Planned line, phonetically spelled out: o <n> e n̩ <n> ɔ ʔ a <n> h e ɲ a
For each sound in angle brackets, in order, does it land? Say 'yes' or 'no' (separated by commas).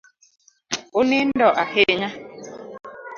yes, no, no